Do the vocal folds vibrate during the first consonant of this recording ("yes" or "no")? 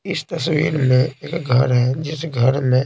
no